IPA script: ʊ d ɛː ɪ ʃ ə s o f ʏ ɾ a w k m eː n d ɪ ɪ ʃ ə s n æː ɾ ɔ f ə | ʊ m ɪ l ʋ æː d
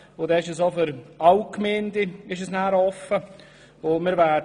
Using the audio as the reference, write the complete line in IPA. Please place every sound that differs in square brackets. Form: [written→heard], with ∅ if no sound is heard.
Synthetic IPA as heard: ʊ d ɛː ɪ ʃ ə s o f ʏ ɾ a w k m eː n d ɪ ɪ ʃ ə s n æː ɾ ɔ f ə | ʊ m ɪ [l→ɾ] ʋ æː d

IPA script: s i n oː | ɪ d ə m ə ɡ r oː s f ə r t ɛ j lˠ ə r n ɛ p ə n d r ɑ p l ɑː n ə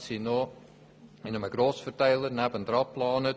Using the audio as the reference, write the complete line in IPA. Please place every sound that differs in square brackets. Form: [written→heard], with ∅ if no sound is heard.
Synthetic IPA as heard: s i n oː | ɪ [d→n] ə m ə ɡ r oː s f ə r t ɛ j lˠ ə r n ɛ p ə n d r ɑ p l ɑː n ə

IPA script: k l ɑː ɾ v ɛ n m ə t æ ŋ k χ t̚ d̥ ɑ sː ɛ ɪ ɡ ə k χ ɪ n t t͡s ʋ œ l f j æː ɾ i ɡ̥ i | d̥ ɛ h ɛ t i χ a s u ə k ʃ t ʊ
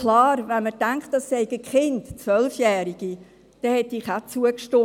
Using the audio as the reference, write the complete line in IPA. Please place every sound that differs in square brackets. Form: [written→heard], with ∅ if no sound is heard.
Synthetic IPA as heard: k l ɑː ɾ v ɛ n m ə t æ ŋ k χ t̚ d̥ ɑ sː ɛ ɪ ɡ ə k χ ɪ n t t͡s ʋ œ l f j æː ɾ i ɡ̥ i | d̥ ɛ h ɛ t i χ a [s→t͡s] u ə k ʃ t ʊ

